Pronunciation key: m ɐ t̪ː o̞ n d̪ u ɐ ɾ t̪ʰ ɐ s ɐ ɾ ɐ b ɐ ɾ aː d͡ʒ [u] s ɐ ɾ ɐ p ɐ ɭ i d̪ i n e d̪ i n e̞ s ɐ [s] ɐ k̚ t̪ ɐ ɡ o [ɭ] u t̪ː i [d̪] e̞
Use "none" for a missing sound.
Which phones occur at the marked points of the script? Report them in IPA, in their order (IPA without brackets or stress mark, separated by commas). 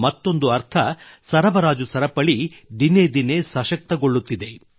u, ʃ, ɭː, d̪